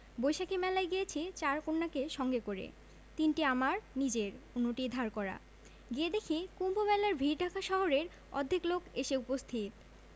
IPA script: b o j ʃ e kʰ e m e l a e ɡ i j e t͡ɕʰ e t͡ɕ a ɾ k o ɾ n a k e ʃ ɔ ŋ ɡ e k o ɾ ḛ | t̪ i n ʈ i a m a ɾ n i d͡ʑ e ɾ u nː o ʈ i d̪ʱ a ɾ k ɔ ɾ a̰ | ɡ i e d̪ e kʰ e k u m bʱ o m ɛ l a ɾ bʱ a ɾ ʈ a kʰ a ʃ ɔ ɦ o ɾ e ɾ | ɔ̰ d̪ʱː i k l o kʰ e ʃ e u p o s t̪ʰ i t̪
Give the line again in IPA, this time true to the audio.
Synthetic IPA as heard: b o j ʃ a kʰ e m ɛ l a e ɡ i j e t͡ɕʰ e t͡ɕ a ɾ k o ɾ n a k e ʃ ɔ ŋ ɡ e k o ɾ ḛ | t̪ i n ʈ i a m a ɾ n i d͡ʑ e ɾ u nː o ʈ i d̪ʱ a ɾ k ɔ ɾ a̰ | ɡ i e d̪ e kʰ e k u m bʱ o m ɛ l a ɾ bʱ i ɾ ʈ a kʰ a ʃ ɔ ɦ o ɾ e ɾ | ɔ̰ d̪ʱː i k l o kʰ e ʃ e u p o s t̪ʰ i t̪